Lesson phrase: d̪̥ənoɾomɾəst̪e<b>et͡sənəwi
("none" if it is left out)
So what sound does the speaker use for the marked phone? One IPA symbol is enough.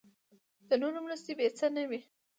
b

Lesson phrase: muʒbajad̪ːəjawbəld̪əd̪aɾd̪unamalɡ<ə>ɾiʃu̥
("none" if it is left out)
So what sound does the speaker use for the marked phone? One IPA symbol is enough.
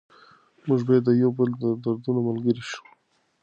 ə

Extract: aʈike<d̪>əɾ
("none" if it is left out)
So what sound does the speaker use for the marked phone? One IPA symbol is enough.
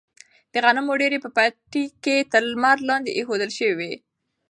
t̪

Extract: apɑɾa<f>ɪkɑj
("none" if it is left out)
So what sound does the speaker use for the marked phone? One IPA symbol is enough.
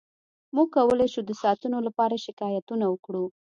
ʃ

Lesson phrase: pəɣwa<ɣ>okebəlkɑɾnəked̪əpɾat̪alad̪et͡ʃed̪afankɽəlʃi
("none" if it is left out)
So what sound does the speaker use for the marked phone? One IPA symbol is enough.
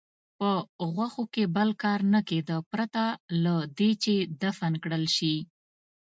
x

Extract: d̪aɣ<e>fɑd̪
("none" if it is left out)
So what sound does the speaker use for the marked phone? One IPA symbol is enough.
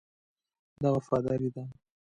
a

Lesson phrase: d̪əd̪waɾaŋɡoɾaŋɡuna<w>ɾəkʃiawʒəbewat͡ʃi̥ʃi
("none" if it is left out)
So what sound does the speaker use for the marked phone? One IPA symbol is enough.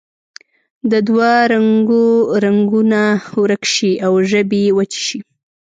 w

